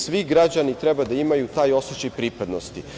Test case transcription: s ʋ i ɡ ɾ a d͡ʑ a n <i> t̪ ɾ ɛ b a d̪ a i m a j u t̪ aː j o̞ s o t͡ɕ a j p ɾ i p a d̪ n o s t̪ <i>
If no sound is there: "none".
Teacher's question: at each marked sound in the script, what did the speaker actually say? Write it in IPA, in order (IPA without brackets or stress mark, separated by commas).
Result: i, i